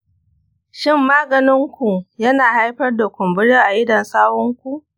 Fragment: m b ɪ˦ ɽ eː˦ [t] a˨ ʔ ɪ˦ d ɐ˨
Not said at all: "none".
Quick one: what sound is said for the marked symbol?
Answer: ʔ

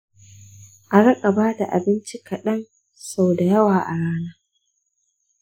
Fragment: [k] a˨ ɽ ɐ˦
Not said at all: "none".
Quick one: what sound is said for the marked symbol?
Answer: ʔ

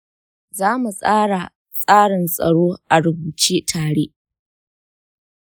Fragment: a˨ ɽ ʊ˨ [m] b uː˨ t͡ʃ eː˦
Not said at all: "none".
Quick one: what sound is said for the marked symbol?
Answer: none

